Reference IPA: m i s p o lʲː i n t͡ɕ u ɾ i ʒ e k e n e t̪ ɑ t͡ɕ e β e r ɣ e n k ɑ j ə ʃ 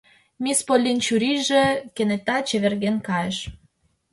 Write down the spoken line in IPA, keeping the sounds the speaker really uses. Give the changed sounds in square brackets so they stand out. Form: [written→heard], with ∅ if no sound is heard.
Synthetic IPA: m i s p o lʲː i n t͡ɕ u ɾ i ʒ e k e n e t̪ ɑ t͡ɕ e β e r ɣ e n k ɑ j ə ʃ